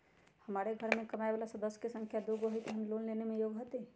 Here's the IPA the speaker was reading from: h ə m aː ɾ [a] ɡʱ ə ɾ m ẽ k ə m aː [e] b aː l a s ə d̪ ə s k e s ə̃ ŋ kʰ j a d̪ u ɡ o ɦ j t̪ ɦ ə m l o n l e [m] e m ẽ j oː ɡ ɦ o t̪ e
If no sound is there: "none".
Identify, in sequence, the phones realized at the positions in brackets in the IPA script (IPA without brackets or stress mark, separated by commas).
e, e, n